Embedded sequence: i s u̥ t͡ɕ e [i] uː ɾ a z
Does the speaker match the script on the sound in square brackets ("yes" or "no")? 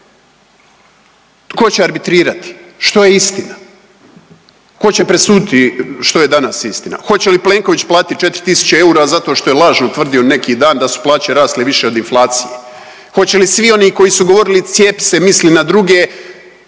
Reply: no